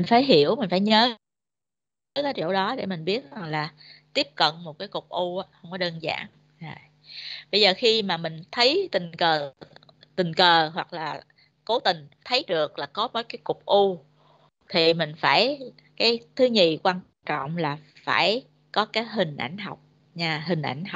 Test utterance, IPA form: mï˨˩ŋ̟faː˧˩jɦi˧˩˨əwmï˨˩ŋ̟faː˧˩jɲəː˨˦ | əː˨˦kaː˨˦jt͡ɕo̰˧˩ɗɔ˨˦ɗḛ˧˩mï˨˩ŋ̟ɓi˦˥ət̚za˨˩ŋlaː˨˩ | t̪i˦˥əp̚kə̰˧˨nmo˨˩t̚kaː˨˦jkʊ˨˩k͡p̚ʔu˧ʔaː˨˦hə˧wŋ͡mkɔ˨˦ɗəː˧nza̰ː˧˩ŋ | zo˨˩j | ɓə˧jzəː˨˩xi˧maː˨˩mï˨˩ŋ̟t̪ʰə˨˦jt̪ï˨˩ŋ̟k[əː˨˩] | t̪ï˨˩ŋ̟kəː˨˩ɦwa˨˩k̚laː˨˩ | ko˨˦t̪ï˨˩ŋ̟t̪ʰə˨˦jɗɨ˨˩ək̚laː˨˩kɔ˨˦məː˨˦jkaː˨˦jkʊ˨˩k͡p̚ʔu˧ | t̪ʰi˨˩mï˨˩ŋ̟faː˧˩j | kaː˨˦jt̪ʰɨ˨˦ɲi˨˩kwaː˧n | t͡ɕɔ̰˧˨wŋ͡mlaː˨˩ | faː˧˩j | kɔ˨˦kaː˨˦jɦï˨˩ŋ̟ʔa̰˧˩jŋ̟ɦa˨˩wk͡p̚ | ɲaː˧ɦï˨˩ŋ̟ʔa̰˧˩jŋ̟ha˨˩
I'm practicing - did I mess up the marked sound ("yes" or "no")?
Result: no